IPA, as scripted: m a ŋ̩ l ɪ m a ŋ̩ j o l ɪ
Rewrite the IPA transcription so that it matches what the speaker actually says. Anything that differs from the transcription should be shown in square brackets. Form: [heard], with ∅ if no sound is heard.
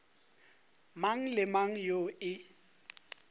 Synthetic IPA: m a ŋ̩ l ɪ m a ŋ̩ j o [∅] ɪ